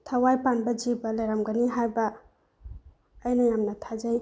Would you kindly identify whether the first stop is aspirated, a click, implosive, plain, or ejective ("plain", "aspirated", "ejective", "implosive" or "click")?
aspirated